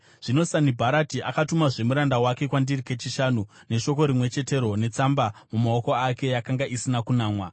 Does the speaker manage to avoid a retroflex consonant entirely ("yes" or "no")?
no